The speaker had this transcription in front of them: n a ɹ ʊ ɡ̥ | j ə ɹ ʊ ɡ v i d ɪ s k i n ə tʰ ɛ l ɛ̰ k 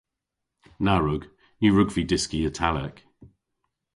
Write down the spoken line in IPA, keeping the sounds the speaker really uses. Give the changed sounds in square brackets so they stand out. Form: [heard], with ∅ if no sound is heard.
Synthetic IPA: n a ɹ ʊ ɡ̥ | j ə ɹ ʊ ɡ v i d ɪ s k i [∅] ə tʰ [a] l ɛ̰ k